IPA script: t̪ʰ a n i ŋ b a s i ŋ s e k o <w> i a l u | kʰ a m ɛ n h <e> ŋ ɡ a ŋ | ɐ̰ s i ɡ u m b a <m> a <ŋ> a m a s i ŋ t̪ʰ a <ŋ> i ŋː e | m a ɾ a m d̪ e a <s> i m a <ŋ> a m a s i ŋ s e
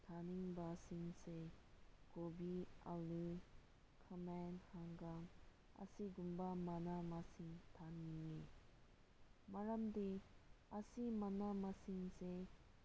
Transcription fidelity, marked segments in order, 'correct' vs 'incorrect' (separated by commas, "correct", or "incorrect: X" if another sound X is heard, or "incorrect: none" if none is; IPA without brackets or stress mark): incorrect: b, incorrect: a, correct, incorrect: n, incorrect: n, correct, incorrect: n